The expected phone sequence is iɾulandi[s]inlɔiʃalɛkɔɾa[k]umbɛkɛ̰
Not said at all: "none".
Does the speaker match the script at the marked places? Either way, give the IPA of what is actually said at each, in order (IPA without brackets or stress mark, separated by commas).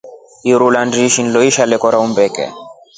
ʃ, none